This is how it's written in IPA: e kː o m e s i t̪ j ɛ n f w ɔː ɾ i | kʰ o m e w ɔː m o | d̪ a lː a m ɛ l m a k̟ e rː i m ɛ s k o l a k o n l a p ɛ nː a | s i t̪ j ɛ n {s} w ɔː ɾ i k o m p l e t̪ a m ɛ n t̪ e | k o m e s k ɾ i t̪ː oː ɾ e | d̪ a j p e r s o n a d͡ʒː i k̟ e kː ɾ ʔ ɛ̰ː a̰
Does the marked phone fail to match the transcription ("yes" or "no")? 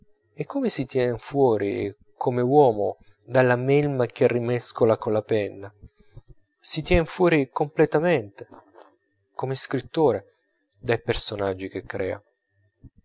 yes